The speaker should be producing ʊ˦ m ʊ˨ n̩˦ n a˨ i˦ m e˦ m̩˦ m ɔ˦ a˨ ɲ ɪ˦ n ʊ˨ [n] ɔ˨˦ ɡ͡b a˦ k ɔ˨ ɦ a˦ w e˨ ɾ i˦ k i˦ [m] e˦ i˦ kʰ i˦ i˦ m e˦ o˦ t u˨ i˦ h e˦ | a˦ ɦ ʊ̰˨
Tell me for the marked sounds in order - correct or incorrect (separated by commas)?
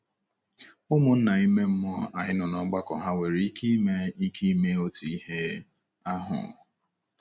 correct, correct